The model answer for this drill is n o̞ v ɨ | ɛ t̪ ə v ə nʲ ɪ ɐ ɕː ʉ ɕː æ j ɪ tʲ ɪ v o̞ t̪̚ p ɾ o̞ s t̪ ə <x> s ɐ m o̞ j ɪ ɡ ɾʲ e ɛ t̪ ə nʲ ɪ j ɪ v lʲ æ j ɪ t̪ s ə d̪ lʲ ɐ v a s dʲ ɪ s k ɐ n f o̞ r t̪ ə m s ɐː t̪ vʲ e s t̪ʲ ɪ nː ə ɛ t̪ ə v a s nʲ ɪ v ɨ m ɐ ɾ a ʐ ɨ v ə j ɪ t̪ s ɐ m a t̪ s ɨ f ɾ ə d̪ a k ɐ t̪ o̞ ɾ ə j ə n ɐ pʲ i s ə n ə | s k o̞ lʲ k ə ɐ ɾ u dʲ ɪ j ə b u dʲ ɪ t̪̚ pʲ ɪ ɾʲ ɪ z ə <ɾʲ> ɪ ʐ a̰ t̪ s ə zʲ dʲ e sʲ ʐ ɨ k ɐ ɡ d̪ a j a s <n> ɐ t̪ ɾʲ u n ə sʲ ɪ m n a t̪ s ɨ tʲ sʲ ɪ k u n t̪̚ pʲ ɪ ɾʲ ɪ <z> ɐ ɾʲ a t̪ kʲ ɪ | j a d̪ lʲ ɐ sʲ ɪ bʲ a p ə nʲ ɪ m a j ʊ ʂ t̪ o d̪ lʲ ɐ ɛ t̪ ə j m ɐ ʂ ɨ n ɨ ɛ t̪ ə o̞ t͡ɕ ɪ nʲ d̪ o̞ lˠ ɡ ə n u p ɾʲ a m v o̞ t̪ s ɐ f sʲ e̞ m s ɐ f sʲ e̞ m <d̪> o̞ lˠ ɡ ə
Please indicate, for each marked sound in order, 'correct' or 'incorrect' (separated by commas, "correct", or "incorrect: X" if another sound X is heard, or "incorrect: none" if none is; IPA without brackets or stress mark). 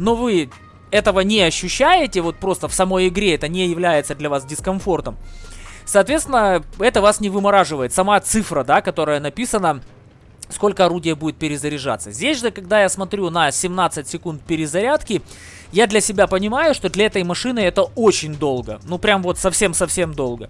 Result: incorrect: f, correct, incorrect: m, correct, correct